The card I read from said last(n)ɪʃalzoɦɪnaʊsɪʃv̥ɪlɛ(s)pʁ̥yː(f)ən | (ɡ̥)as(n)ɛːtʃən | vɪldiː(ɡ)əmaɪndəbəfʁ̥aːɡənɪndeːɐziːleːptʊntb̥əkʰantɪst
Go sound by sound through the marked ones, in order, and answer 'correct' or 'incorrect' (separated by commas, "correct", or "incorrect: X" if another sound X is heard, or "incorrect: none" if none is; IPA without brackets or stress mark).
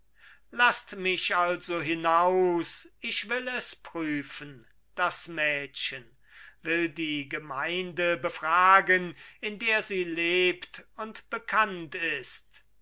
incorrect: m, correct, correct, incorrect: d̥, incorrect: m, correct